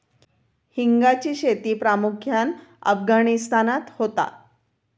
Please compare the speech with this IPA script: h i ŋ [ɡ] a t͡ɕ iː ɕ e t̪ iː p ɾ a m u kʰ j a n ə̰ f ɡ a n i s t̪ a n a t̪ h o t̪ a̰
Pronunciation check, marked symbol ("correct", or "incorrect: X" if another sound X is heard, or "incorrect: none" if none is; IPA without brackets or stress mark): correct